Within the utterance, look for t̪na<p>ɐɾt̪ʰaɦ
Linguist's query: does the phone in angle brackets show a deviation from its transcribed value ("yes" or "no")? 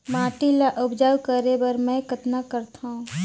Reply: yes